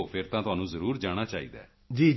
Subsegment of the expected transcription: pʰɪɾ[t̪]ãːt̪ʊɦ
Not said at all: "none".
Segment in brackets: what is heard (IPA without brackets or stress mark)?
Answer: t̪